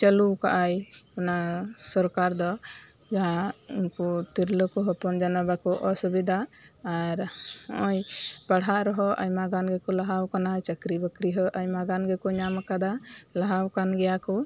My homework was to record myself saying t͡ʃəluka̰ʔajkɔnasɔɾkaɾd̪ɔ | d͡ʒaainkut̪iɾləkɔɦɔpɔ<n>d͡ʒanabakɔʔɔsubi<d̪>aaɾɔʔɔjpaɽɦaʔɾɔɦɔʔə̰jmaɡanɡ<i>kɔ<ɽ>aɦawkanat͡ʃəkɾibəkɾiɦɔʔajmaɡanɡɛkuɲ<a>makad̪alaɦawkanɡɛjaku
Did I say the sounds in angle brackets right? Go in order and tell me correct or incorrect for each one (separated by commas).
correct, correct, incorrect, incorrect, correct